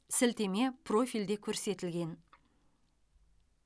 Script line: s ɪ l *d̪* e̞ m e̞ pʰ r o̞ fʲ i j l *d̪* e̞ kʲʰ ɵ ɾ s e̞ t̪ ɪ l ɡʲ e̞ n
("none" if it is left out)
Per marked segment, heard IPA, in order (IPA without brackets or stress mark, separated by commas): t̪, d̪